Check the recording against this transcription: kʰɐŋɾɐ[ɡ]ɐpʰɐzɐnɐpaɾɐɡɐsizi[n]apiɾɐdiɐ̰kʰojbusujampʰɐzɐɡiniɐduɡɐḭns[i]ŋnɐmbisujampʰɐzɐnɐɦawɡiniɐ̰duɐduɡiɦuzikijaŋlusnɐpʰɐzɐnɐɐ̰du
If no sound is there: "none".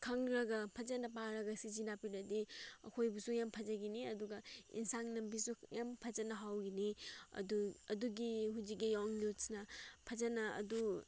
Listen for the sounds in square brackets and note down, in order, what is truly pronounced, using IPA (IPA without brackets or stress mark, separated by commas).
ɡ, n, a